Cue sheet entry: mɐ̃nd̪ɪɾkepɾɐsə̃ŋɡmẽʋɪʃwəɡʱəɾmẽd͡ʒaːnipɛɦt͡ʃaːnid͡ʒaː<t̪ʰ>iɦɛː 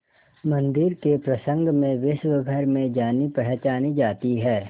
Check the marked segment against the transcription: incorrect: t̪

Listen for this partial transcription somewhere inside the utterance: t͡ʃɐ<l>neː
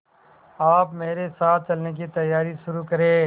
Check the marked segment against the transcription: correct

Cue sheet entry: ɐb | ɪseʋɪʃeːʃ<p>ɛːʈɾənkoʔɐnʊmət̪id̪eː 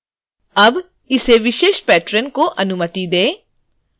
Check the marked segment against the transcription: correct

